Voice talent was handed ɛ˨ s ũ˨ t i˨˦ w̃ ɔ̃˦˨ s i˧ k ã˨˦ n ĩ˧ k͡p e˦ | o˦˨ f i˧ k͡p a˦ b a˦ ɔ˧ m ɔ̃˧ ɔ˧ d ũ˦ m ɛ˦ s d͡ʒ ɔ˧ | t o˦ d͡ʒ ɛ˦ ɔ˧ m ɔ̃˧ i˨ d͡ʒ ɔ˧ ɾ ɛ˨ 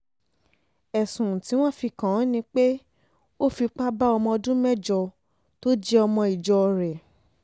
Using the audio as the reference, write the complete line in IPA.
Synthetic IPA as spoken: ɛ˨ s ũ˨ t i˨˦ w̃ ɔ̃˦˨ f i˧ k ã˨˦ n ĩ˧ k͡p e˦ | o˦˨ f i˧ k͡p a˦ b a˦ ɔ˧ m ɔ̃˧ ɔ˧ d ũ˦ m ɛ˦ d͡ʒ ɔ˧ | t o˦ d͡ʒ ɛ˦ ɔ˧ m ɔ̃˧ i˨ d͡ʒ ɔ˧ ɾ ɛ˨